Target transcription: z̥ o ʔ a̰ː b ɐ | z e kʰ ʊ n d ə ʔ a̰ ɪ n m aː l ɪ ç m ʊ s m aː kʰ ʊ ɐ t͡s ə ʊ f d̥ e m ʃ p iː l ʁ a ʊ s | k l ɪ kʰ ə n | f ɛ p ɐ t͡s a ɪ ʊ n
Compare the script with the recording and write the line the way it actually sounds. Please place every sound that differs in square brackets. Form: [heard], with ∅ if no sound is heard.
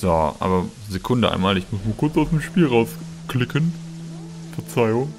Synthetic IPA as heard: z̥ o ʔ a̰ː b ɐ | z e kʰ ʊ n d ə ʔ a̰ ɪ n m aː l ɪ ç m ʊ s m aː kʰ ʊ ɐ t͡s [a] ʊ [s] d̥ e m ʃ p iː l ʁ a ʊ s | k l ɪ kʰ ə n | f ɛ [∅] ɐ t͡s a ɪ ʊ [ŋ]